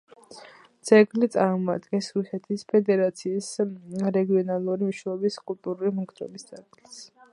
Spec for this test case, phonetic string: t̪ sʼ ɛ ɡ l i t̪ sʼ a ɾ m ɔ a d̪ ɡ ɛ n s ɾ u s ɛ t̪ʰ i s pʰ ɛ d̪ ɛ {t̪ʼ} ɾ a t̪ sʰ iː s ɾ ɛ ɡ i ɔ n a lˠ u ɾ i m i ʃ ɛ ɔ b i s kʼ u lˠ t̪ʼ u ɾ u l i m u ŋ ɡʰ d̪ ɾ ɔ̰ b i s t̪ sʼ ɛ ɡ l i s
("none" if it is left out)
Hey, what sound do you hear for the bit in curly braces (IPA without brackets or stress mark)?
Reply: none